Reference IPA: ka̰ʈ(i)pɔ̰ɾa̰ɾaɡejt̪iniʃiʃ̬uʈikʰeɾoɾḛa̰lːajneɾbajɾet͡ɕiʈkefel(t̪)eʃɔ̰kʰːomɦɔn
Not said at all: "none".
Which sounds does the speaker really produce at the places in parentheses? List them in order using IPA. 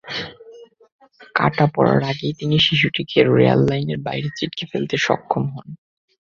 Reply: a, t̪

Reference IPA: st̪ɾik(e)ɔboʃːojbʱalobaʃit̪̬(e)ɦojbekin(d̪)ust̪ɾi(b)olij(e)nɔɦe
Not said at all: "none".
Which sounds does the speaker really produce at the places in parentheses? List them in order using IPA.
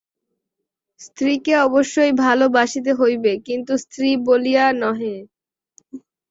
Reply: e, e, t̪, b, a

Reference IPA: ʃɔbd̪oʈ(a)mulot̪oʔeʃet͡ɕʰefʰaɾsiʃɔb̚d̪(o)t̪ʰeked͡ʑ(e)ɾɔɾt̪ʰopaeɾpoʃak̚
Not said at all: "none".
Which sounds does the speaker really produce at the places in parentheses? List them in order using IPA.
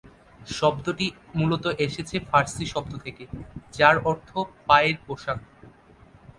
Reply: i, o, a

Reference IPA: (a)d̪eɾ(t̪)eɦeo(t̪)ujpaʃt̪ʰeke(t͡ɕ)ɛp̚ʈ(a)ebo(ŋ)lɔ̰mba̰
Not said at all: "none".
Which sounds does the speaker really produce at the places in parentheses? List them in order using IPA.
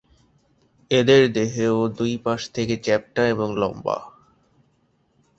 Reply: e, d̪, d̪, t͡ɕ, a, ŋ

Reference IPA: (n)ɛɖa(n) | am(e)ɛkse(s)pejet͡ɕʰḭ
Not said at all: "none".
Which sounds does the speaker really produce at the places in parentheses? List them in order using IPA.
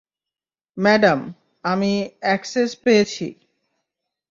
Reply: m, m, i, s

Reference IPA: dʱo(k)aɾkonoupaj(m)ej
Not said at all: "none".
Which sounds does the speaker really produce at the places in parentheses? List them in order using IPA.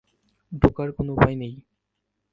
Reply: k, n

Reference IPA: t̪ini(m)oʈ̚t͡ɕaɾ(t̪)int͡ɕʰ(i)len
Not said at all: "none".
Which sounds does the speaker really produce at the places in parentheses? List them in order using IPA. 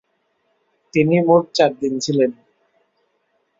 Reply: m, d̪, i

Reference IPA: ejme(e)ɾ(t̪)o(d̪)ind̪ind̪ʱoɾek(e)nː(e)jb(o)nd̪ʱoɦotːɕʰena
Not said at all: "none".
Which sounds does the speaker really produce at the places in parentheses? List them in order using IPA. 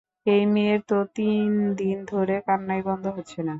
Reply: e, t̪, t̪, a, a, ɔ

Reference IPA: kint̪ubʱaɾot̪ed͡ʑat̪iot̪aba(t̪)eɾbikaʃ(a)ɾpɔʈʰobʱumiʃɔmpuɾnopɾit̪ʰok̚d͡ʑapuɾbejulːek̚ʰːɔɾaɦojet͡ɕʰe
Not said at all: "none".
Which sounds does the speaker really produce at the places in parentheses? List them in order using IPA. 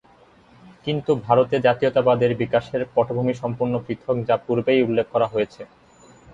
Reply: d̪, e

